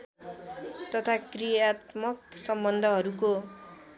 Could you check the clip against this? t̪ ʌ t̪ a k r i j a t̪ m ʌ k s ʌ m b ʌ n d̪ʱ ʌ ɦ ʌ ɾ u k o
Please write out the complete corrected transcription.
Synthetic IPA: t̪ ʌ t̪ʰ a k r i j a t̪ m ʌ k s ʌ m b ʌ n d̪ʱ ʌ ɦ ʌ ɾ u k o